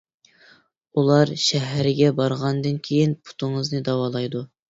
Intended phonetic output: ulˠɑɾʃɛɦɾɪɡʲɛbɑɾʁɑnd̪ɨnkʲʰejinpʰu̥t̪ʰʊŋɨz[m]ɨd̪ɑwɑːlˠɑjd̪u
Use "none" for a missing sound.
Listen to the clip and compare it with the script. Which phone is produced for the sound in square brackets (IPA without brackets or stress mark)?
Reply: n